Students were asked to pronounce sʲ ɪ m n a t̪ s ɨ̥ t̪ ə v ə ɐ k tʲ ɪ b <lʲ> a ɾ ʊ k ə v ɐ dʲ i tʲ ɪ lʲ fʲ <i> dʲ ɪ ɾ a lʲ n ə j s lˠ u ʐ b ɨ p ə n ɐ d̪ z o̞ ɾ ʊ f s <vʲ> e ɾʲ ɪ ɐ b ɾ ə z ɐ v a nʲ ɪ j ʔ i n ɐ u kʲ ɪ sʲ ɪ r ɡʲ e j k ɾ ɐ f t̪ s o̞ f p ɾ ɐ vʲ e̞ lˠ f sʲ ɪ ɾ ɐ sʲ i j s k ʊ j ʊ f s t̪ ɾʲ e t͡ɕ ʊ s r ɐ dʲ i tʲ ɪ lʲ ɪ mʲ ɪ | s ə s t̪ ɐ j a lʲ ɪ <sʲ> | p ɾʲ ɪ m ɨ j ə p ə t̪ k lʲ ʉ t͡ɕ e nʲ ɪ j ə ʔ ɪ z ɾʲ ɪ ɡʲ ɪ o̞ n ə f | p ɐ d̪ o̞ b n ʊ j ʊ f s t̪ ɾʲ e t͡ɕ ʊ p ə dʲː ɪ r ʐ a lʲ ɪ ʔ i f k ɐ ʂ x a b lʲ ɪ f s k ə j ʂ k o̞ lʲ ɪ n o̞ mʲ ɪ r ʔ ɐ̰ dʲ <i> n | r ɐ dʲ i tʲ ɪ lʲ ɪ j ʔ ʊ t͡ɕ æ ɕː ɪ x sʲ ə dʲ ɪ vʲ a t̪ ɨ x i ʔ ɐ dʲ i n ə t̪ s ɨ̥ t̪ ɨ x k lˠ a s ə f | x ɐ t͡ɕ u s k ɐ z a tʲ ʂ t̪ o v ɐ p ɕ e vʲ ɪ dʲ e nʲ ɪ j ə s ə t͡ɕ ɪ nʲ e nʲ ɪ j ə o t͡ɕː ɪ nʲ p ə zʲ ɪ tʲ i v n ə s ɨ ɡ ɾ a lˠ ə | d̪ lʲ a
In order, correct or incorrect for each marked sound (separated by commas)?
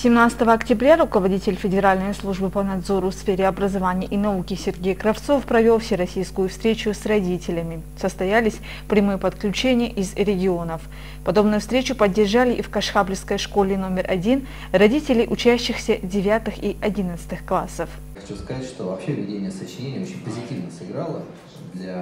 incorrect, incorrect, incorrect, correct, correct